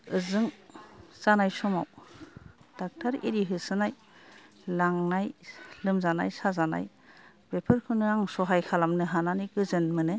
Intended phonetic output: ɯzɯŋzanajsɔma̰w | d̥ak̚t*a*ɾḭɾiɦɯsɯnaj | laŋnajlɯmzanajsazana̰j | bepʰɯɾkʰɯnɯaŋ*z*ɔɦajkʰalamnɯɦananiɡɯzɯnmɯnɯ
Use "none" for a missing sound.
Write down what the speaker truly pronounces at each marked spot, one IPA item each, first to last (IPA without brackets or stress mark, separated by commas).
a, s